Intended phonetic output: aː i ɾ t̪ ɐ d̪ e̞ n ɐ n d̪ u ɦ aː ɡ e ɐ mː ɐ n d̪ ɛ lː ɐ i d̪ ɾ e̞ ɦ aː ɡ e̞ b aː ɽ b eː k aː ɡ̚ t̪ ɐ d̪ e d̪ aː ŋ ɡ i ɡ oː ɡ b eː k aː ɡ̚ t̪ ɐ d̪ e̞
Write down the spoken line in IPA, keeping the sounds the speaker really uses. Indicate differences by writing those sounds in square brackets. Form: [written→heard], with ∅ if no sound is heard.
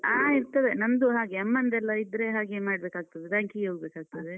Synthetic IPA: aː i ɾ t̪ ɐ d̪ e̞ n ɐ n d̪ u ɦ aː ɡ e ɐ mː ɐ n d̪ ɛ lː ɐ i d̪ ɾ e̞ ɦ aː ɡ e̞ [b→m] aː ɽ b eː k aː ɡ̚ t̪ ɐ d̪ e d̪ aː ŋ [ɡ→k] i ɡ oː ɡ b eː k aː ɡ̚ t̪ ɐ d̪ e̞